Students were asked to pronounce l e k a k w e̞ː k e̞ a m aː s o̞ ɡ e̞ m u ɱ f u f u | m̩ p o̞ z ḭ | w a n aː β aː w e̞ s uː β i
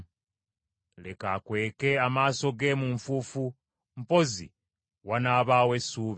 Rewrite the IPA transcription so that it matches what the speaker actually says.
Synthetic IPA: l e k a k w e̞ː k e̞ a m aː s o̞ ɡ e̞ m u ɱ f u f u | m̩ p o̞ z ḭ | w a n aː β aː w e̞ s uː β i